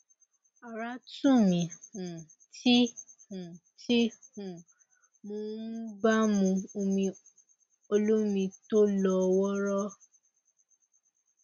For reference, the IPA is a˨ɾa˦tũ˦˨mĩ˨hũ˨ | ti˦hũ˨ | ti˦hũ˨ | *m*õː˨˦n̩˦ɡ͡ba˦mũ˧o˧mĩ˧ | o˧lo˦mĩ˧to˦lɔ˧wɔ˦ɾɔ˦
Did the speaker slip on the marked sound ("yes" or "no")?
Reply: no